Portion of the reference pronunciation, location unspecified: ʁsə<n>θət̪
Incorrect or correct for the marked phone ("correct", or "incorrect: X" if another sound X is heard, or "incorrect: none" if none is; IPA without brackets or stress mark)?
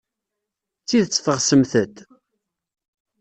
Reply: incorrect: m